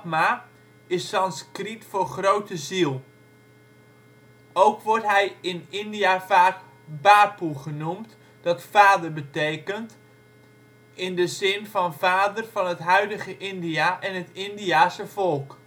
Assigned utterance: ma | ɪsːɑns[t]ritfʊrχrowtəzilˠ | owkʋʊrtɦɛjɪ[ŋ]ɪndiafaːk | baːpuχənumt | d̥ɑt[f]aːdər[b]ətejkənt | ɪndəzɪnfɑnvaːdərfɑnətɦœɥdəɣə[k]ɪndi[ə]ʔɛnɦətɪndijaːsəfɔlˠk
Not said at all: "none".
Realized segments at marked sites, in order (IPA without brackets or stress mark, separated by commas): k, n, f, b, ʔ, a